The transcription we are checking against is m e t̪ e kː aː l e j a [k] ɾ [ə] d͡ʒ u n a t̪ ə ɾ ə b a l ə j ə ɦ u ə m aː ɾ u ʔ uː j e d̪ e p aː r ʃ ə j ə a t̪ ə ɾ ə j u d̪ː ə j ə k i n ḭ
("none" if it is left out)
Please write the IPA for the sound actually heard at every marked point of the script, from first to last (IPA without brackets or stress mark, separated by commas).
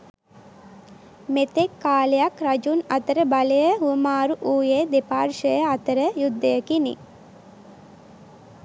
k, a